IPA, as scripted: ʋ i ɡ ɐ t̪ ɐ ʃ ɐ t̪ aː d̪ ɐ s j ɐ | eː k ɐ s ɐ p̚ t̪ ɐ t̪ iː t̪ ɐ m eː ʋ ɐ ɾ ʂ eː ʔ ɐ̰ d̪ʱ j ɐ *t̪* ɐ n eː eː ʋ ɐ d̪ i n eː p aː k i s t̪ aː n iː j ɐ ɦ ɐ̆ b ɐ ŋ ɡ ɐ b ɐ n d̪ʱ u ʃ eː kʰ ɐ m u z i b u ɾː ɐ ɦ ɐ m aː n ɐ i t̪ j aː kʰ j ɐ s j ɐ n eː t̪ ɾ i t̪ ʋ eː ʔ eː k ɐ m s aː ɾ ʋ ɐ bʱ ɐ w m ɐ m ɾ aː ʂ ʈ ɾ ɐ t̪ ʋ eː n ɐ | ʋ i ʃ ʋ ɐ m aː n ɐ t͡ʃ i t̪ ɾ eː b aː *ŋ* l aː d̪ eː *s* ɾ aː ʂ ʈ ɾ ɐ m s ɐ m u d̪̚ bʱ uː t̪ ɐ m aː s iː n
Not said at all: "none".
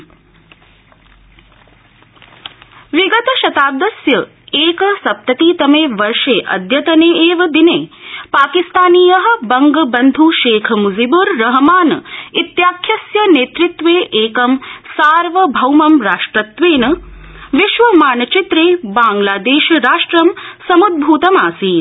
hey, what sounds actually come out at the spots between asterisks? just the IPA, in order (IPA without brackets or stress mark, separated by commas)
t̪, ŋ, ʃ